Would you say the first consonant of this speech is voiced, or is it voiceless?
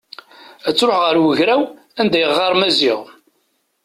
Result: voiceless